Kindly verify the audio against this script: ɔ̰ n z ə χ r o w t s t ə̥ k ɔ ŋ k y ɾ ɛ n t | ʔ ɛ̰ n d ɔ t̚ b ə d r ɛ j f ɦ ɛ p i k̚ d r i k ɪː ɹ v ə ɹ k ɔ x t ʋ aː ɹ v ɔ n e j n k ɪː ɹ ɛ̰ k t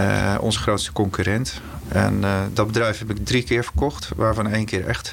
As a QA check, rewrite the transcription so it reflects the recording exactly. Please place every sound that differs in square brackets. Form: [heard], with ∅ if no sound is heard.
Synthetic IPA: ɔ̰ n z ə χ r o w t s t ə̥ k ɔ ŋ k y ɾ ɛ n t | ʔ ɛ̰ n d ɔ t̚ b ə d r ɛ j f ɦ ɛ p [ɪ] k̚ d r i k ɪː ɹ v ə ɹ k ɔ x t ʋ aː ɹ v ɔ n e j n k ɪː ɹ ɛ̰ [x] t